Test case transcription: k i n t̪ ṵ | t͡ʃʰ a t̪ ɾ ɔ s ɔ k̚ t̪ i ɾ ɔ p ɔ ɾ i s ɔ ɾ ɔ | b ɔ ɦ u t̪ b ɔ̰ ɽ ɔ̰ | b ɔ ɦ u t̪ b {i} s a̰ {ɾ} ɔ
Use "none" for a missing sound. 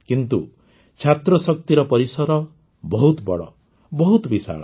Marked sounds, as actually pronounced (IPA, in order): i, ɭ

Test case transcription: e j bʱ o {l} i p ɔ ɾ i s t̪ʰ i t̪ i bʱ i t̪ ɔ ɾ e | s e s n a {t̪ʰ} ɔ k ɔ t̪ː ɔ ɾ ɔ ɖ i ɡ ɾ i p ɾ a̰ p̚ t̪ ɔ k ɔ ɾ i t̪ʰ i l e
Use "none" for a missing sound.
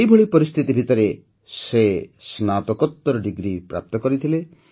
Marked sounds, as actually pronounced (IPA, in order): ɭ, t̪

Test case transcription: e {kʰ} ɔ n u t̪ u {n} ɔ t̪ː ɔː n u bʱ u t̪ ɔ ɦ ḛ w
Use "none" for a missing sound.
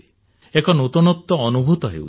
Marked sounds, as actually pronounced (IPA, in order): k, n

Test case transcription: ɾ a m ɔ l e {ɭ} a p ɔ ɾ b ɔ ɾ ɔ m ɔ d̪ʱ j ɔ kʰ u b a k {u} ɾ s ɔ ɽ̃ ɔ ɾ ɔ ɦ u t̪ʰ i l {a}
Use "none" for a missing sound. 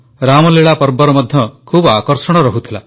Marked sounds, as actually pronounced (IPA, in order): ɭ, ɔ, a

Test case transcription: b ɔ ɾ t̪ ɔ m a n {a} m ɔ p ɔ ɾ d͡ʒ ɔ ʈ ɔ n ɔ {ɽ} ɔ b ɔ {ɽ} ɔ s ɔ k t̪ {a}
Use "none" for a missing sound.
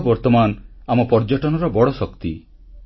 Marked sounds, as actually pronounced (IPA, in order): a, ɾ, ɽ, i

